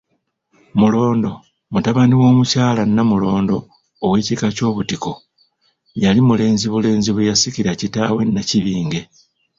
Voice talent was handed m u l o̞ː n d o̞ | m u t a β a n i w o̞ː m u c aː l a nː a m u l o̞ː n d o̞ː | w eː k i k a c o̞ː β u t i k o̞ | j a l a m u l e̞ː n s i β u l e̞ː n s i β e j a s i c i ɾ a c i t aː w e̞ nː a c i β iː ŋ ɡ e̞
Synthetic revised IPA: m u l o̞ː n d o̞ | m u t a β a n i w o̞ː m u c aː l a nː a m u l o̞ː n d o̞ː | w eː c i k a c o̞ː β u t i k o̞ | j a l i m u l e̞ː n z i β u l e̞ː n z i β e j a s i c i ɾ a c i t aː w e̞ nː a c i β iː ŋ ɡ e̞